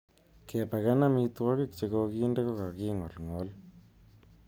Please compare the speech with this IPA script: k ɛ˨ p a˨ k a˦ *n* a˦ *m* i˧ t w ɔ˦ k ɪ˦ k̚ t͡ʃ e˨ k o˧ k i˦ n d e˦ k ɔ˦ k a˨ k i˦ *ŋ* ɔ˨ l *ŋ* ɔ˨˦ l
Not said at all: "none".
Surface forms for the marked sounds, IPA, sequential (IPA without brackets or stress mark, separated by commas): n, m, ŋ, ŋ